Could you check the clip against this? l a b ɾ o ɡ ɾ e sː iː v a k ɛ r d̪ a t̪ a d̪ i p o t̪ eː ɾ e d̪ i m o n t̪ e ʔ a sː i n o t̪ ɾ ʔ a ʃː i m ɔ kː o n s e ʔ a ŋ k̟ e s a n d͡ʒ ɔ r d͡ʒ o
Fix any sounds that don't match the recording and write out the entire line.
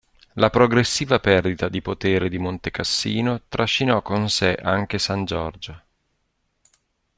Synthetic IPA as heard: l a p ɾ o ɡ ɾ e sː iː v a p ɛ r d̪ i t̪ a d̪ i p o t̪ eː ɾ e d̪ i m o n t̪ e k a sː iː n o t̪ ɾ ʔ a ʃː i n ɔ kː o n s e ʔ a ŋ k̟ e s a n d͡ʒ ɔ r d͡ʒ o